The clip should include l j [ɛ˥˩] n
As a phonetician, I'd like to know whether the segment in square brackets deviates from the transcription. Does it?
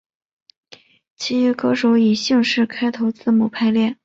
no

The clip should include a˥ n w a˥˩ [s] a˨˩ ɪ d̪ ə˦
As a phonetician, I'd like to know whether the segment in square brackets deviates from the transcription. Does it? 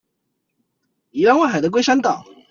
yes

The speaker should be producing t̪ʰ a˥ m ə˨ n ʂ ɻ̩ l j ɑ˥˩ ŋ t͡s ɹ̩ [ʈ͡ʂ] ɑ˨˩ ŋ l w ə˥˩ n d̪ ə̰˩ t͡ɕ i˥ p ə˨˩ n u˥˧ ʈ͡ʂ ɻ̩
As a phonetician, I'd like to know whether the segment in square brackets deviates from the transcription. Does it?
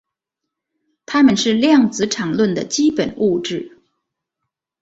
yes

